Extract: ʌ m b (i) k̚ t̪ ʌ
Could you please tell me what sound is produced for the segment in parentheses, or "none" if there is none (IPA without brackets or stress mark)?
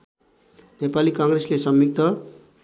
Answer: i